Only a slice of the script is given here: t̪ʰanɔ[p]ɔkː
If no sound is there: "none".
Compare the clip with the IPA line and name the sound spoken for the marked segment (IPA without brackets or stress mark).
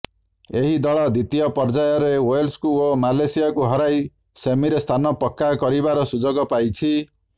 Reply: p